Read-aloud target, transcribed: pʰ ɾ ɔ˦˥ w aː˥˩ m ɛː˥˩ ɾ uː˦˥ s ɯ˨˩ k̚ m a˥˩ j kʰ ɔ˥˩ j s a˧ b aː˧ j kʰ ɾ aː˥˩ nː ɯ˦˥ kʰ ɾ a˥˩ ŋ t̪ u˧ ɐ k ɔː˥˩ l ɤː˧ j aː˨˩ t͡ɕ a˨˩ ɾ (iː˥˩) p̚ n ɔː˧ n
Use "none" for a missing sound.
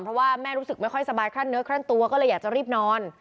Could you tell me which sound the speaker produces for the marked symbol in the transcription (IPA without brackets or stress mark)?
iː˥˩